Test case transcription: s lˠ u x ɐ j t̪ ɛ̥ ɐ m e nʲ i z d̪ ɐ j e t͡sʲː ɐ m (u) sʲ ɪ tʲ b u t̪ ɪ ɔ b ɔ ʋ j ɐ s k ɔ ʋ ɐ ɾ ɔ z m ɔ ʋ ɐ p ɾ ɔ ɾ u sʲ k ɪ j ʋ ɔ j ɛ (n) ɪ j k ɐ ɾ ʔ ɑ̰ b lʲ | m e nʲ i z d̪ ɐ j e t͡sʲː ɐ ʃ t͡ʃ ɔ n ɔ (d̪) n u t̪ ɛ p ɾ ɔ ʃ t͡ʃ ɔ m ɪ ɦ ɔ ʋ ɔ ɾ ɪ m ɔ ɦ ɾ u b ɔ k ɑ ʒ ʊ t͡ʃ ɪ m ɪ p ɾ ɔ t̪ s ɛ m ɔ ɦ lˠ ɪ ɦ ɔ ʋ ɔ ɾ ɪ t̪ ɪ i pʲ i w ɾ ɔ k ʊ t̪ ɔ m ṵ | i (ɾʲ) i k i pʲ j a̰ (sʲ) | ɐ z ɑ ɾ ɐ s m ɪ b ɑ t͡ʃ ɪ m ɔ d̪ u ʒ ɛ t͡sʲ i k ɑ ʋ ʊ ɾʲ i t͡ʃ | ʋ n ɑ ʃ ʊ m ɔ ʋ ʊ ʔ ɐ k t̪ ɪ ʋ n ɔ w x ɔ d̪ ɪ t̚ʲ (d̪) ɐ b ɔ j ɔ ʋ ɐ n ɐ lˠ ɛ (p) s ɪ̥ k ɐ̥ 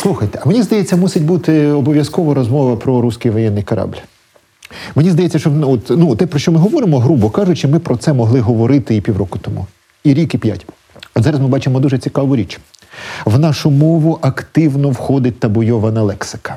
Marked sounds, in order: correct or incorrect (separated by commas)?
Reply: correct, incorrect, incorrect, correct, incorrect, incorrect, incorrect